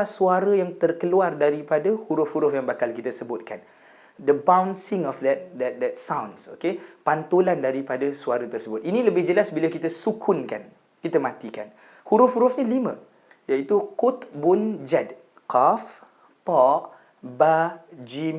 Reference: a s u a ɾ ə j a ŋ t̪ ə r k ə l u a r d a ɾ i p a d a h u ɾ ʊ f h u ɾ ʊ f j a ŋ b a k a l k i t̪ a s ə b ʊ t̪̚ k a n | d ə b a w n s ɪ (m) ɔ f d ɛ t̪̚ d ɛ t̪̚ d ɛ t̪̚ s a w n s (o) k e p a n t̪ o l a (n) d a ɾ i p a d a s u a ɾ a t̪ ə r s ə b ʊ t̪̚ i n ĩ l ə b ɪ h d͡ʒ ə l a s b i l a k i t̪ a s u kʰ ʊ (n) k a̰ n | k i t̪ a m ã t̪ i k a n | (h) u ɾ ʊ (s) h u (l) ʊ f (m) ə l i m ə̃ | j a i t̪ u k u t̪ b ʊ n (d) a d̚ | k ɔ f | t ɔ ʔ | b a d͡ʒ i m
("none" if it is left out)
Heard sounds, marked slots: ŋ, o, n, n, h, f, ɾ, ɲ, d͡ʒ

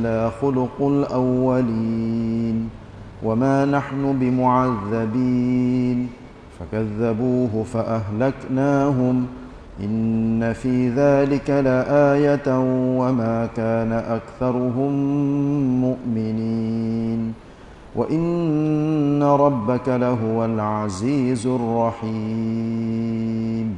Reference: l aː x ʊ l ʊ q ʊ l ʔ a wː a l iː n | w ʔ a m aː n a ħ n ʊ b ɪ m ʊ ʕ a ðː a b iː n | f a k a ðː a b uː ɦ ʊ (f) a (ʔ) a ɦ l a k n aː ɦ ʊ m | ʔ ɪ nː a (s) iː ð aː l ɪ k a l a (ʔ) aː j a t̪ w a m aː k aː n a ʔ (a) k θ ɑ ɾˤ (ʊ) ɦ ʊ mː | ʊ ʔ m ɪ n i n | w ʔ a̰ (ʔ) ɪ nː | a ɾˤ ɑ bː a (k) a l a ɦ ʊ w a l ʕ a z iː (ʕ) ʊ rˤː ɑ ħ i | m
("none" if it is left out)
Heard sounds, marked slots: f, ʔ, f, ʔ, a, ʊ, ʔ, k, z

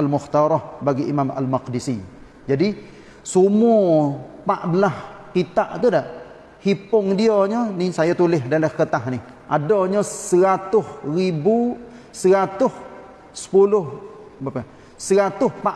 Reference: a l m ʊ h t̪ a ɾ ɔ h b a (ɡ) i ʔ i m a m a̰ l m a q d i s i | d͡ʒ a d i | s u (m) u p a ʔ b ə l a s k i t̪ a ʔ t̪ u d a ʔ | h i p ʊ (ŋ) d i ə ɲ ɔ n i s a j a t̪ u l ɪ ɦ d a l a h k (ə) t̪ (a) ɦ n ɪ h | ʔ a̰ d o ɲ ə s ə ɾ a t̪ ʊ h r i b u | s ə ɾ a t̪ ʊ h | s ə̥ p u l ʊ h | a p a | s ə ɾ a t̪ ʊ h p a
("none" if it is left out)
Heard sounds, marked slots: ɡ, m, ŋ, ə, a

